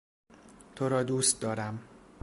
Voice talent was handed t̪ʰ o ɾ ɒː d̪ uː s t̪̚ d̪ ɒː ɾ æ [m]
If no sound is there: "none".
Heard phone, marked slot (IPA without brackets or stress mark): m